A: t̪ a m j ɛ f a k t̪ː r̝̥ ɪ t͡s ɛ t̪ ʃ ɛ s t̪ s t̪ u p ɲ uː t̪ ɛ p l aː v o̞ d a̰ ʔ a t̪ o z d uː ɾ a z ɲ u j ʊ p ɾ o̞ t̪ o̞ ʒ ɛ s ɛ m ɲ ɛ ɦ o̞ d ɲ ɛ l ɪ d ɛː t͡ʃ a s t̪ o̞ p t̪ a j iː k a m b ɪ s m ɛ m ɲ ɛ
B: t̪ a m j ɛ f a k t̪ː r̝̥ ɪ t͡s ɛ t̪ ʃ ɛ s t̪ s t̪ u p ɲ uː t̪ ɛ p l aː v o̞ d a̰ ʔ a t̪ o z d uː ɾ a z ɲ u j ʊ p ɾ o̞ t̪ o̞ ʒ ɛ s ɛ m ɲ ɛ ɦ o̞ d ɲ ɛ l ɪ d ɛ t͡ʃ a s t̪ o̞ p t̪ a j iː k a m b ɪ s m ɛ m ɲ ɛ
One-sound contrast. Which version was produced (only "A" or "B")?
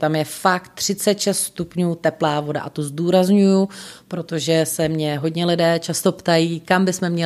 A